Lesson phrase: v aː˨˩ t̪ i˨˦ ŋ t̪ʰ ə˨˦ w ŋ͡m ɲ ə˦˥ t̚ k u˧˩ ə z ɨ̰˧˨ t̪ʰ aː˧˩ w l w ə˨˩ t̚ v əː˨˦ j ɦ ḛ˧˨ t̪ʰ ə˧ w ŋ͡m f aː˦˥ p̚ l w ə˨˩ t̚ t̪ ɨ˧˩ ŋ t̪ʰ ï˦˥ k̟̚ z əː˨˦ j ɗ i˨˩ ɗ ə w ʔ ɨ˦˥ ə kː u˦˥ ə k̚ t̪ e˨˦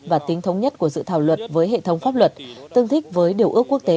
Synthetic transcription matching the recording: v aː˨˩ t̪ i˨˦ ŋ t̪ʰ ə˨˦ w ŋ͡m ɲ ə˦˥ t̚ k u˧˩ ə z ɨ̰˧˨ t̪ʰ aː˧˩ w l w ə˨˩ t̚ v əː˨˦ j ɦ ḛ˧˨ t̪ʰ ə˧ w ŋ͡m f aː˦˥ p̚ l w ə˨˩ t̚ t̪ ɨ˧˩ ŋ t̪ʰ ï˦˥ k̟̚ v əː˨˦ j ɗ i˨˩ ə w ʔ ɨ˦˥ ə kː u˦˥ ə k̚ t̪ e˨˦